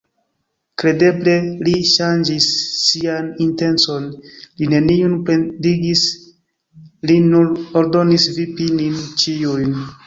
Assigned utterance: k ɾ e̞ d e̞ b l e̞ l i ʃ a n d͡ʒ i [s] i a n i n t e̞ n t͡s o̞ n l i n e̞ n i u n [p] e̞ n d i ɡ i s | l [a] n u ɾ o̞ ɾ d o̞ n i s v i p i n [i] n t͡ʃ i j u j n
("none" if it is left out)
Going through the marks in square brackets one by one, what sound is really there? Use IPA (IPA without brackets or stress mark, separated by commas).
sː, p, i, i